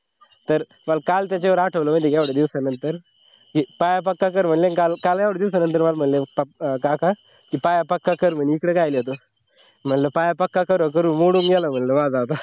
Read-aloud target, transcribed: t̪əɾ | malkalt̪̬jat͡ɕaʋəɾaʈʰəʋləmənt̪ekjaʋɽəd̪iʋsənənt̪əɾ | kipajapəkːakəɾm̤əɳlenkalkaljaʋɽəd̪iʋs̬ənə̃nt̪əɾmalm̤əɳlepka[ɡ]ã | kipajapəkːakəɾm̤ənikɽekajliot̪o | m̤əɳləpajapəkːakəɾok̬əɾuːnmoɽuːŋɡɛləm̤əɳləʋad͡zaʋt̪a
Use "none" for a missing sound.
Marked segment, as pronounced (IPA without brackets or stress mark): k